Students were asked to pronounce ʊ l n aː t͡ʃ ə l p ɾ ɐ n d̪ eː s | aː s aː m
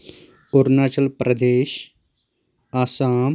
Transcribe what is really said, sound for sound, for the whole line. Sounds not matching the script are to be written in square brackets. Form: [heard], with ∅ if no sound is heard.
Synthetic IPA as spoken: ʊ [ɾ] n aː t͡ʃ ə l p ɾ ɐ [∅] d̪ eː [ʃ] | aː s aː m